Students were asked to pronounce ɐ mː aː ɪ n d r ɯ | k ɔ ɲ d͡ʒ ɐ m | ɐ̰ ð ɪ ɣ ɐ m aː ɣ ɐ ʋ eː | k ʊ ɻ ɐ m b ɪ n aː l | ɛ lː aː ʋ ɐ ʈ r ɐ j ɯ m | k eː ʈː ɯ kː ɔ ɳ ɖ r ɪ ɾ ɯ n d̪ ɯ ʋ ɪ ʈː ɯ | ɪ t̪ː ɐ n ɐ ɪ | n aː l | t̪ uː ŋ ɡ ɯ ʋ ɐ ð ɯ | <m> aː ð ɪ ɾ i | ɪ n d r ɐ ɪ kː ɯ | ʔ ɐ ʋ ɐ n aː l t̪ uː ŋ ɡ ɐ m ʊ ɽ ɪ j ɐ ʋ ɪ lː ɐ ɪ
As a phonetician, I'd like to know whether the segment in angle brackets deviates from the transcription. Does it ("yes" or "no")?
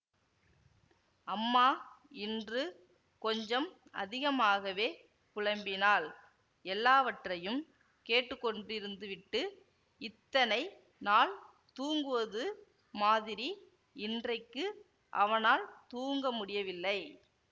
no